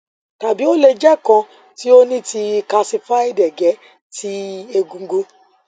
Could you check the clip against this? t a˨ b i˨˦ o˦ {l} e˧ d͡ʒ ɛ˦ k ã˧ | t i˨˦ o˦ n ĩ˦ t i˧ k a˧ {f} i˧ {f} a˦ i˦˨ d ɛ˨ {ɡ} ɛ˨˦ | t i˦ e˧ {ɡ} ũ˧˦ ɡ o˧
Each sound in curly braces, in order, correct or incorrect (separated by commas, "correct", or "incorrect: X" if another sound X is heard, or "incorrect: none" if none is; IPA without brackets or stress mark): correct, incorrect: s, correct, correct, correct